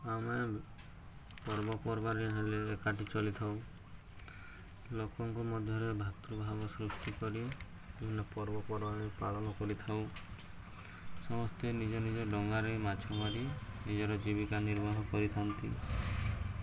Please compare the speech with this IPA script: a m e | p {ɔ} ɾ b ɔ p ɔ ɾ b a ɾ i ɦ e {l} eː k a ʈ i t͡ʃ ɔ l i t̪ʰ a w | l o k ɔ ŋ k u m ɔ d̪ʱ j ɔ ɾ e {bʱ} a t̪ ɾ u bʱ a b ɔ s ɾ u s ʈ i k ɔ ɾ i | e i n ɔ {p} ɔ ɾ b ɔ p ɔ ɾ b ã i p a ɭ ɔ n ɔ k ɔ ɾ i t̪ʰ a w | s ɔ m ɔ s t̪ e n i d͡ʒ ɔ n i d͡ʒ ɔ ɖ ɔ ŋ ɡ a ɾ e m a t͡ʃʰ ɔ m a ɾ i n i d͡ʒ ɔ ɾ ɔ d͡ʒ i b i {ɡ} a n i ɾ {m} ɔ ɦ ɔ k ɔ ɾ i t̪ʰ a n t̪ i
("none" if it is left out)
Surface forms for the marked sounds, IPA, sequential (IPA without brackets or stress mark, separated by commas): ɔ, l, bʱ, p, k, b